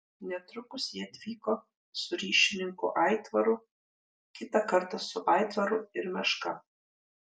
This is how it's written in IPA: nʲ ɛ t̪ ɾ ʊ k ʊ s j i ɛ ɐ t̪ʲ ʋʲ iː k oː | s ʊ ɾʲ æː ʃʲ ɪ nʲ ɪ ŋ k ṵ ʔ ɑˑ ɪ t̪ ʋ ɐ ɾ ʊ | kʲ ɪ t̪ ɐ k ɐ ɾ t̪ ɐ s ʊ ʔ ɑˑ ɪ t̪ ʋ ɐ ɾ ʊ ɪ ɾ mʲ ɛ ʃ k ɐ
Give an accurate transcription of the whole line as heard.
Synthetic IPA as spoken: nʲ ɛ t̪ ɾ ʊ k ʊ s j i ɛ ɐ t̪ʲ ʋʲ iː k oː | s ʊ ɾʲ iː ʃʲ ɪ nʲ ɪ ŋ k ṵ ʔ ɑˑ ɪ t̪ ʋ ɐ ɾ ʊ | kʲ ɪ t̪ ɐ k ɐ ɾ t̪ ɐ s ʊ ʔ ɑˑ ɪ t̪ ʋ ɐ ɾ ʊ ɪ ɾ mʲ ɛ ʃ k ɐ